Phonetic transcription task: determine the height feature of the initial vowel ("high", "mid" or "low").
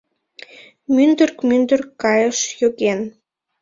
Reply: high